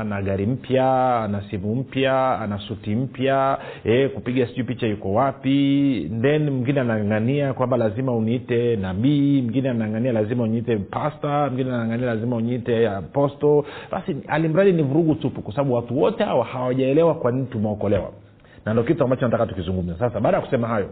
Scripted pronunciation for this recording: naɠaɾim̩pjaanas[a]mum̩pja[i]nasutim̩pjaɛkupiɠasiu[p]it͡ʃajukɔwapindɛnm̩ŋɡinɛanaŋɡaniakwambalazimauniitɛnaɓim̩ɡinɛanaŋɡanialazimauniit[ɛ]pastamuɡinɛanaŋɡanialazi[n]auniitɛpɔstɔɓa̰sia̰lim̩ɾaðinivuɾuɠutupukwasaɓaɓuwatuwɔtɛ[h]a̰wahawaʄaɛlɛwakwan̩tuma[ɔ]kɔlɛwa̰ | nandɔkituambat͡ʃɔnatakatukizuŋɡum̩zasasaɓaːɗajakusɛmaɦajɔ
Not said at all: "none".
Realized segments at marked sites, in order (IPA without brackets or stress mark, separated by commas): i, a, p, ɛ, m, h, ɔ